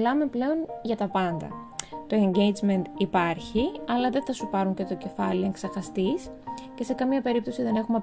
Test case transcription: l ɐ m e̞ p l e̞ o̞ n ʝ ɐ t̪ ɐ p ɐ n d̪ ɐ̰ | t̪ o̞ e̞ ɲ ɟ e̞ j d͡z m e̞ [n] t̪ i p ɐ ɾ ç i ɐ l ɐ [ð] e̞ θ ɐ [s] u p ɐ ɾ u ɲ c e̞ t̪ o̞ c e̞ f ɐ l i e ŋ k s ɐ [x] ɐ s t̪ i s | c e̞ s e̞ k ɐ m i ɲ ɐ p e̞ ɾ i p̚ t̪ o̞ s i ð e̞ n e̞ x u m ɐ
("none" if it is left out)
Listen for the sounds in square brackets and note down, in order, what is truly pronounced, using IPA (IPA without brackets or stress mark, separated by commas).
n, ð, s, x